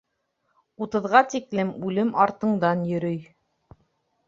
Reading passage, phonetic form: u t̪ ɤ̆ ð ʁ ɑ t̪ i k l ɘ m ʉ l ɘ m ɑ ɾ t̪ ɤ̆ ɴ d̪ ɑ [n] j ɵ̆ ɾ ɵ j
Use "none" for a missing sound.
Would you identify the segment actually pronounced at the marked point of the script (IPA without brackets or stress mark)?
n